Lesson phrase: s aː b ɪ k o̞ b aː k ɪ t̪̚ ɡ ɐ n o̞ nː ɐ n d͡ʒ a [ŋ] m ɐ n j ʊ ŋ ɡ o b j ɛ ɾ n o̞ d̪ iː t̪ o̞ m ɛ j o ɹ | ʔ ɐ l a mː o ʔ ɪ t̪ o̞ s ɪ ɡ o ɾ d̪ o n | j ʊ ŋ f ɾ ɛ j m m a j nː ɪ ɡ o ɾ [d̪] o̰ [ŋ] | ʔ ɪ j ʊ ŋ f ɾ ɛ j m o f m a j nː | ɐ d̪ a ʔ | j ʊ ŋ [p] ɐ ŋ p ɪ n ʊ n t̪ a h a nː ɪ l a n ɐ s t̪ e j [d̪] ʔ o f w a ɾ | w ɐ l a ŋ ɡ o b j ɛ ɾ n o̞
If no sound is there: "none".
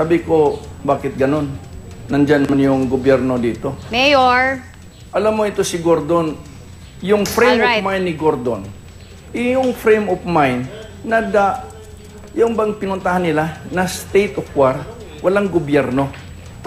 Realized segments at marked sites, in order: n, d̪, n, b, t̪

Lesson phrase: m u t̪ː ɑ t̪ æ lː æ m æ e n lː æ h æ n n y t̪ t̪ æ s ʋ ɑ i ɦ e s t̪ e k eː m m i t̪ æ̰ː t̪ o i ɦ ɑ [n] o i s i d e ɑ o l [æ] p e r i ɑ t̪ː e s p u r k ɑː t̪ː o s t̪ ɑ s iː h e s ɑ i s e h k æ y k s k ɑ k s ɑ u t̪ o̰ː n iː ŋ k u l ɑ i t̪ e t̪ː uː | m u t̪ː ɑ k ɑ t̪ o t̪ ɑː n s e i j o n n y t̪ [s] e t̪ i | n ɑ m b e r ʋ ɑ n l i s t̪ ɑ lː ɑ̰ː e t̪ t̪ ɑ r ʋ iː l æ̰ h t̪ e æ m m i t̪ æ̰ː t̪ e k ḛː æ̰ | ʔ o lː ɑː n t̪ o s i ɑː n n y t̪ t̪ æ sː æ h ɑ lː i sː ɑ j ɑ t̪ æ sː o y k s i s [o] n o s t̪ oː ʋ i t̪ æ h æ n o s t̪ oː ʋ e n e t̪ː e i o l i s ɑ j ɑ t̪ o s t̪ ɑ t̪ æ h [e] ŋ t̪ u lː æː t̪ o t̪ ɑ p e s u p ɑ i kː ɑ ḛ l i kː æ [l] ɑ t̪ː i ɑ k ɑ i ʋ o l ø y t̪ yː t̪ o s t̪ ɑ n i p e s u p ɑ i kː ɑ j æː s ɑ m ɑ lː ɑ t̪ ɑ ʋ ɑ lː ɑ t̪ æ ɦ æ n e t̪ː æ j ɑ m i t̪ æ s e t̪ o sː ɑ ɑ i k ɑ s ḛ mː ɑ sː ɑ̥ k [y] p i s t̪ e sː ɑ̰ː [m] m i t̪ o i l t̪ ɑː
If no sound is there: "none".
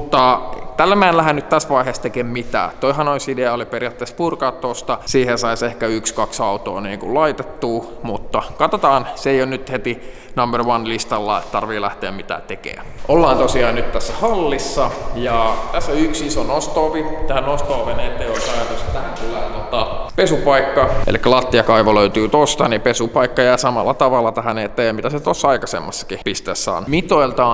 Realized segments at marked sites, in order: n, i, h, o, æ, l, i, n

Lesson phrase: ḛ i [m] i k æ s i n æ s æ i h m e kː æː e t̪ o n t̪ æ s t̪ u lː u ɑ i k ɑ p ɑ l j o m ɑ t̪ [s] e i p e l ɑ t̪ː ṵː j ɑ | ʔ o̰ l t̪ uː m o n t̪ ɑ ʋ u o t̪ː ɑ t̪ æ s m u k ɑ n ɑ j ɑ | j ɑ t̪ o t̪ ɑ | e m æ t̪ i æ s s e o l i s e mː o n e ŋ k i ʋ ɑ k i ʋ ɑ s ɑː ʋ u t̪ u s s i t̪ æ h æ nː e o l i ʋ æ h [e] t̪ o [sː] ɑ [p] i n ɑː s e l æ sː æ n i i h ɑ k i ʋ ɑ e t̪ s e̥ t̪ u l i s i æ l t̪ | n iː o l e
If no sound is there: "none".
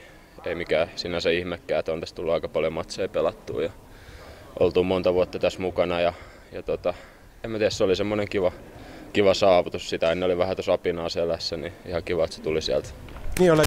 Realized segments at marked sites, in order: m, s, æ, s, p

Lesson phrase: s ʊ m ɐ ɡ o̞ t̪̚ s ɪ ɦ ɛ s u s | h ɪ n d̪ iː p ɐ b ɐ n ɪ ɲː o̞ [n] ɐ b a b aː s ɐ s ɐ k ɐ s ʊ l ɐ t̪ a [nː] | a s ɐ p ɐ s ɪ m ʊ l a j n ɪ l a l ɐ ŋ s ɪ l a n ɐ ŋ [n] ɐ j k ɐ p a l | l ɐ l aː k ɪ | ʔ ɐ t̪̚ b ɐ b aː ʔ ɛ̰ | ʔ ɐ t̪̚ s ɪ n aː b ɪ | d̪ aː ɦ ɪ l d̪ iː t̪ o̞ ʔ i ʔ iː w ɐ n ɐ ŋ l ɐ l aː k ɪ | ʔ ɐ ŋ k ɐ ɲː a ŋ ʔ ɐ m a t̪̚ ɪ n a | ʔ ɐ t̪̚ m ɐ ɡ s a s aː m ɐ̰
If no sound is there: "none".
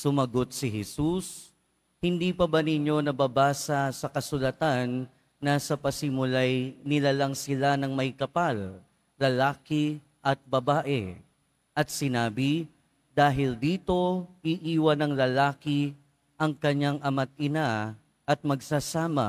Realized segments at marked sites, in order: n, nː, m

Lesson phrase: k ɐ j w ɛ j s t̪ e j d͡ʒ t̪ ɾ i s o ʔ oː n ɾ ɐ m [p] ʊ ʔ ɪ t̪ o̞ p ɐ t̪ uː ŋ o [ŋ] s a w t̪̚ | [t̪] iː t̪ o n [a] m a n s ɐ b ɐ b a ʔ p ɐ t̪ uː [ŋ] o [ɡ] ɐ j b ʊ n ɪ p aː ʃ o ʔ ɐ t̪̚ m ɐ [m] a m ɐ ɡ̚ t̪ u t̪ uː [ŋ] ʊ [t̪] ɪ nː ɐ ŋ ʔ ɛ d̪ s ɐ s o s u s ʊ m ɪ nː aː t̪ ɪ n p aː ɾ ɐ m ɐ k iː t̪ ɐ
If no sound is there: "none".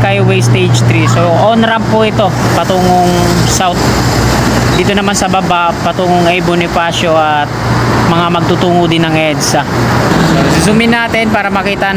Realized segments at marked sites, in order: p, ŋ, d̪, ɐ, ŋ, ŋ, ŋ, ŋ, d̪

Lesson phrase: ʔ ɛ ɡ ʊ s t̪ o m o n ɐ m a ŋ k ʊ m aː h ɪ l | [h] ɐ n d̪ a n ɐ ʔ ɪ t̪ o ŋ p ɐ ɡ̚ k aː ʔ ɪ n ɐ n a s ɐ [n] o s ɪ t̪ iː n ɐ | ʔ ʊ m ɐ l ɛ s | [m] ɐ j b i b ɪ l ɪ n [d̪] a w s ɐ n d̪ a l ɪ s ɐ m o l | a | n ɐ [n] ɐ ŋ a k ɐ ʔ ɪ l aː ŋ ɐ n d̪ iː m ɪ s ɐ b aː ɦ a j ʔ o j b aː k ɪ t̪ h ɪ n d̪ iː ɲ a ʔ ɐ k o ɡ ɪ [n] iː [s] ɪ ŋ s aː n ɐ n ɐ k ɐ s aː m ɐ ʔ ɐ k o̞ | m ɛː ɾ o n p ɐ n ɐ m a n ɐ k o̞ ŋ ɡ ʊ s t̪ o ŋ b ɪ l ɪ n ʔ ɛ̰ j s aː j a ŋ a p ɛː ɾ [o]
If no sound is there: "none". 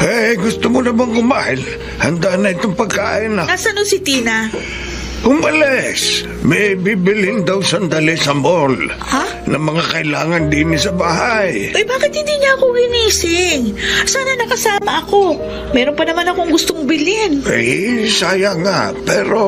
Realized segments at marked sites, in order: h, n, m, d̪, m, n, s, o

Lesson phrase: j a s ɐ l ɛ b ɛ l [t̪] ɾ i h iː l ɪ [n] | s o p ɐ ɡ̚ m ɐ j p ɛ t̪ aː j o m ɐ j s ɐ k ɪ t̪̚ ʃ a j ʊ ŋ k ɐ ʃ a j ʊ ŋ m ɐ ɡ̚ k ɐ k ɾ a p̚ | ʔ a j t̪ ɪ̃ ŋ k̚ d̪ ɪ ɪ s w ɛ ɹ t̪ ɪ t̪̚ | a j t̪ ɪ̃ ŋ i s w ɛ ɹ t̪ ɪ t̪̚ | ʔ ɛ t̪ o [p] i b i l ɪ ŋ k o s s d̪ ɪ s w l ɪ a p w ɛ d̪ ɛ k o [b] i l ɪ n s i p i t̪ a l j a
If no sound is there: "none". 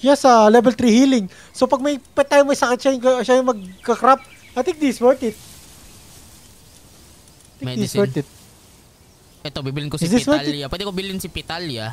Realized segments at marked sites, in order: t̪, ŋ, b, b

